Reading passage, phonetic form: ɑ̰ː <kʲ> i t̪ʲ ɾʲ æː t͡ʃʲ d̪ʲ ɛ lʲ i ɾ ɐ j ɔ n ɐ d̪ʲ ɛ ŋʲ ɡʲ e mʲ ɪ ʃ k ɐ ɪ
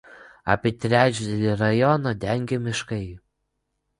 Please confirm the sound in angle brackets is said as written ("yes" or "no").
no